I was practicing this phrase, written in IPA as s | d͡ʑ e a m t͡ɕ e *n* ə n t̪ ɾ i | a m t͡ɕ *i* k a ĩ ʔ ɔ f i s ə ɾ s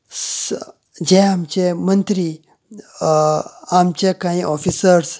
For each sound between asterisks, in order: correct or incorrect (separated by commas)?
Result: incorrect, incorrect